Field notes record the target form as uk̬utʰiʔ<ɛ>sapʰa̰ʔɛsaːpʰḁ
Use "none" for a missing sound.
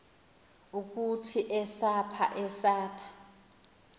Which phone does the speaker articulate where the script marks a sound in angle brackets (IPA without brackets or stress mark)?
ɛ